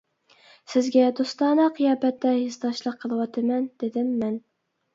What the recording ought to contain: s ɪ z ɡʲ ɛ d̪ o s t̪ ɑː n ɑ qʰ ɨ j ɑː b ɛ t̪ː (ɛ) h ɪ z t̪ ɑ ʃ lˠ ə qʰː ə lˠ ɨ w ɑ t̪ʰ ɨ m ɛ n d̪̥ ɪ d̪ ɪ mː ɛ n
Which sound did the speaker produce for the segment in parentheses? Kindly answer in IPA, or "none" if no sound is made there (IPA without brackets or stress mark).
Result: ɛ